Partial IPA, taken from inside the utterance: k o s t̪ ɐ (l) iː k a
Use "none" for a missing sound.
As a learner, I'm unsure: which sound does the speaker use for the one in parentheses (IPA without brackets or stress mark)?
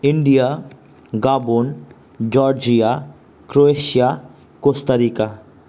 ɾ